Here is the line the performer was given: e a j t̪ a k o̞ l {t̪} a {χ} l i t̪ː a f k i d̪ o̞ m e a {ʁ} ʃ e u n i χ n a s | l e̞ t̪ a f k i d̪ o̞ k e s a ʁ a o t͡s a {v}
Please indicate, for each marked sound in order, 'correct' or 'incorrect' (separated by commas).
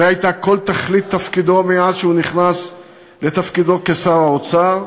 correct, correct, incorrect, incorrect